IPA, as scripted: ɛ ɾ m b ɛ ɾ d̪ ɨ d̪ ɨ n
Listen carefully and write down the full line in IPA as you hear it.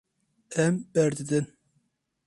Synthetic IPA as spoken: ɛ m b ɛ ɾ d̪ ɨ d̪ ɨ n